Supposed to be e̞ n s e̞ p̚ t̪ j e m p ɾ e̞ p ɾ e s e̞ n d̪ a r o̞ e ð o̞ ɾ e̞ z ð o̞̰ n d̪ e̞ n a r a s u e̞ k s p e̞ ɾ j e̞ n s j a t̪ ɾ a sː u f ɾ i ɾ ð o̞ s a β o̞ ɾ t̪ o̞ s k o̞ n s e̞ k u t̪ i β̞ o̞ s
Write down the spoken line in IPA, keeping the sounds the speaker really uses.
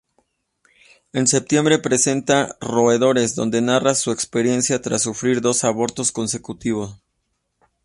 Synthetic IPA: e̞ n s e̞ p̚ t̪ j e m b ɾ e̞ p ɾ e s e̞ n t̪ a r o̞ e ð o̞ ɾ e̞ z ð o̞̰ n d̪ e̞ n a r a s u e̞ k s p e̞ ɾ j e̞ n s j a t̪ ɾ a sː u f ɾ i ɾ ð o̞ s a β o̞ ɾ t̪ o̞ s k o̞ n s e̞ k u t̪ i β̞ o̞ s